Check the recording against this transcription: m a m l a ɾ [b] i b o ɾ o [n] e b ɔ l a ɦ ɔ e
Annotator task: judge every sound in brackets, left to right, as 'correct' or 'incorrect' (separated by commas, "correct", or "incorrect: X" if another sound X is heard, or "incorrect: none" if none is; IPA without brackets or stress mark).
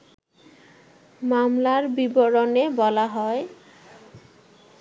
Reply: correct, correct